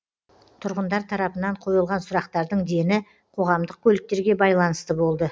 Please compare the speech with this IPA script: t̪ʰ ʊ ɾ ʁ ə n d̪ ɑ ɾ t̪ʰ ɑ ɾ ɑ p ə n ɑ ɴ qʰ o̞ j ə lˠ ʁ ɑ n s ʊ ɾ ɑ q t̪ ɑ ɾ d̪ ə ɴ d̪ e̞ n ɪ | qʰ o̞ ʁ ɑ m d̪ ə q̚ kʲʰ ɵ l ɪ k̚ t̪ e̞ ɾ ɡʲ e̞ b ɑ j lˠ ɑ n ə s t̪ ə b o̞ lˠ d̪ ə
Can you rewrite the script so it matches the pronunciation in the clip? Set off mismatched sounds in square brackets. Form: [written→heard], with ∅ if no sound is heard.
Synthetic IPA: t̪ʰ ʊ ɾ ʁ ə n d̪ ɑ ɾ t̪ʰ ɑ ɾ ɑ p ə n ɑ ɴ qʰ o̞ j ə lˠ ʁ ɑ n s ʊ ɾ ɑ q t̪ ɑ ɾ d̪ ə ɴ d̪ e̞ n ɪ | qʰ o̞ ʁ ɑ m d̪ ə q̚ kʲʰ ɵ l ɪ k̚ t̪ e̞ ɾ ɡʲ e̞ b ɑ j lˠ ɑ n ə s t̪ ə b o̞ lˠ d̪ ə